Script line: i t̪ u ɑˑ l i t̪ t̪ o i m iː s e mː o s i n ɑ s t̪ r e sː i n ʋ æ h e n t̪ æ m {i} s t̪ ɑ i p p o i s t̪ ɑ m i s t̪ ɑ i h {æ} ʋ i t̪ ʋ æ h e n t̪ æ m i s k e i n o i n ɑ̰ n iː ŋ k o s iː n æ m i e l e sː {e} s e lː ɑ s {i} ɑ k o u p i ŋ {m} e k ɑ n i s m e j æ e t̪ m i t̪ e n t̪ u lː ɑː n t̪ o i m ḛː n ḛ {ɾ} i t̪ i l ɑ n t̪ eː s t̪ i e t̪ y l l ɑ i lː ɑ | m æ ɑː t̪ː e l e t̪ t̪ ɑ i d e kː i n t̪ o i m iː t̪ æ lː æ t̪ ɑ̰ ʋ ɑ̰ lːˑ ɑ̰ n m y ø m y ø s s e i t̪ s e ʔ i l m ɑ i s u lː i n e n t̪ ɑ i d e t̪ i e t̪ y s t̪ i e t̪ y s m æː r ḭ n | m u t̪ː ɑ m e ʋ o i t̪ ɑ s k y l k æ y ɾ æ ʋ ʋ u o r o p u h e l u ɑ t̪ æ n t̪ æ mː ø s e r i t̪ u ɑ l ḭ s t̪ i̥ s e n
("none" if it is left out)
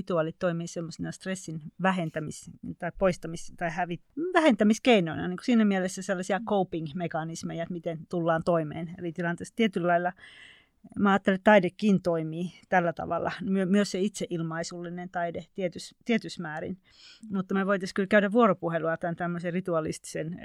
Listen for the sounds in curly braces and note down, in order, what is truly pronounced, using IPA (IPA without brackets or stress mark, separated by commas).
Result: i, æ, æ, i, m, l